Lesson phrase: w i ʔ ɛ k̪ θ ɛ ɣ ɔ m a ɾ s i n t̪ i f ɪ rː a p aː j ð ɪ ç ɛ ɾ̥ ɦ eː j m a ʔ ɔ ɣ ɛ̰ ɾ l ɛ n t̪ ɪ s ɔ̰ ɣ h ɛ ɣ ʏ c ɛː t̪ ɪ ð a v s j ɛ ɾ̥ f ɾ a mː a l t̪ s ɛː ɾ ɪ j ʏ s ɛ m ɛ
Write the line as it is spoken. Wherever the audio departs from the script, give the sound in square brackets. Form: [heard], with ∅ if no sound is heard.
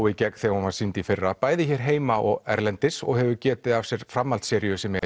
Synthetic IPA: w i [c] ɛ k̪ θ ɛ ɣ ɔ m a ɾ s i n t̪ i f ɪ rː a p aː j ð ɪ ç ɛ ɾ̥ ɦ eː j m a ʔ ɔ ɣ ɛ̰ ɾ l ɛ n t̪ ɪ s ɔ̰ ɣ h ɛ [v] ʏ c ɛː t̪ ɪ ð a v s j ɛ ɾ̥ f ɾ a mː a l t̪ s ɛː ɾ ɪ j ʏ s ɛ m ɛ